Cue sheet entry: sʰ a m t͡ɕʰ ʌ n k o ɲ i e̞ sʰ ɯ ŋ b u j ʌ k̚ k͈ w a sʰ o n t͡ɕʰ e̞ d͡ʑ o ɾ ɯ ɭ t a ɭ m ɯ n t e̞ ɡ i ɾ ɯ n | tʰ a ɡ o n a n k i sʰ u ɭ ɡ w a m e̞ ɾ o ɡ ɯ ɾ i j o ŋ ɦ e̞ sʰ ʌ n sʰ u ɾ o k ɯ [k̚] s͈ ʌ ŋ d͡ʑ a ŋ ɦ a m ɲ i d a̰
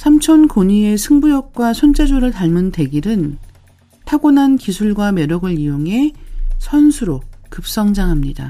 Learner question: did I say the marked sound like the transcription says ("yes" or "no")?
no